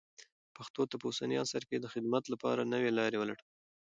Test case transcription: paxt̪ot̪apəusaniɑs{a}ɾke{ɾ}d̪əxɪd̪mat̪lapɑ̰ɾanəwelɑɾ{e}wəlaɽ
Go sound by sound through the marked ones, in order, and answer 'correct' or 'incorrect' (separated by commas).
correct, incorrect, correct